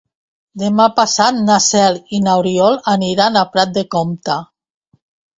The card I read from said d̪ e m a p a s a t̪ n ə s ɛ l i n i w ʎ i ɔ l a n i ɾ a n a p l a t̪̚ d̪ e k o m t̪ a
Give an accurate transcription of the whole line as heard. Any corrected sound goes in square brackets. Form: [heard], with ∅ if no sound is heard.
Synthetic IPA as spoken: d̪ e m a p a s a t̪ n [a] s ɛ l i n [a] w [ɾ] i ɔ l a n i ɾ a n a p [ɾ] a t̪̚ d̪ e k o m t̪ a